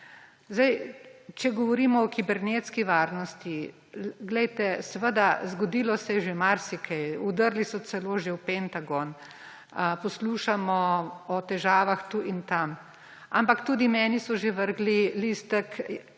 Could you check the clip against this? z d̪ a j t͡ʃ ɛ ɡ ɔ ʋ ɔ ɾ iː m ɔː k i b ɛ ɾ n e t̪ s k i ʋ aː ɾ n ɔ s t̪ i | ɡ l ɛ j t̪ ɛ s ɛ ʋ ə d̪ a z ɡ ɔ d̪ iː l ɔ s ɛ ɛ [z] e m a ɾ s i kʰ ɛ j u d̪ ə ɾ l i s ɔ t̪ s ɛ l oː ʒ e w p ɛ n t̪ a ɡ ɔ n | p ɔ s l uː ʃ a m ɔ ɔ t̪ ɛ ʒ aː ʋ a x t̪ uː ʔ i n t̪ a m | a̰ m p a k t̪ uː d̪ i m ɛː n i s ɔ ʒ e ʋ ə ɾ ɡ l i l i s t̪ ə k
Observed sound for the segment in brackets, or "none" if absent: ʒ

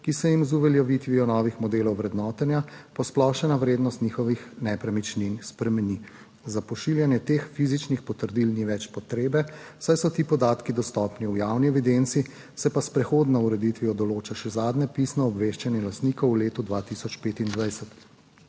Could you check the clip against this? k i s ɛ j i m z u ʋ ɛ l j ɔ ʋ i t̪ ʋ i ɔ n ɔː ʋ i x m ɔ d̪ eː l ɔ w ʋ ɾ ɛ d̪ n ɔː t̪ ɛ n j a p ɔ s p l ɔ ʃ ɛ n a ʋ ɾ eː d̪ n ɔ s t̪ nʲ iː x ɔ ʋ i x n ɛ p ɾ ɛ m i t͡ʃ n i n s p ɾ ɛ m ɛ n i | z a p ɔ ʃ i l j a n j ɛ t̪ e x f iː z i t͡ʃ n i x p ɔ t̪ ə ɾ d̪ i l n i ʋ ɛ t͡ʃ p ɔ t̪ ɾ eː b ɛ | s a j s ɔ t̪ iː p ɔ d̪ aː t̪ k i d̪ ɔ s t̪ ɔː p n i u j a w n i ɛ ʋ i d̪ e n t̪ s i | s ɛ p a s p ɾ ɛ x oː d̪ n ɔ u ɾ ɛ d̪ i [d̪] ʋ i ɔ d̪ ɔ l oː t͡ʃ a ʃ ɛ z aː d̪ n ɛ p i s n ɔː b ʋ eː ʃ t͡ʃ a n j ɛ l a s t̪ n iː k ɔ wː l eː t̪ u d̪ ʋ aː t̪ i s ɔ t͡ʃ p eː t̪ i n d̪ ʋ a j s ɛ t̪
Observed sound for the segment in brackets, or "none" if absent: t̪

